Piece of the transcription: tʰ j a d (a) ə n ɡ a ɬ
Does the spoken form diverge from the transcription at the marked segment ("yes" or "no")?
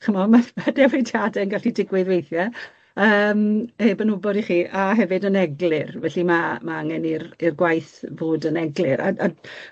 yes